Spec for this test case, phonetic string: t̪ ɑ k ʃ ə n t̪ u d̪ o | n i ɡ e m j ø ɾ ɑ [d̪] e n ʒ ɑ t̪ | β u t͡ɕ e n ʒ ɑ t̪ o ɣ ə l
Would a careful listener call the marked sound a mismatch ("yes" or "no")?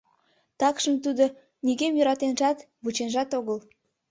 yes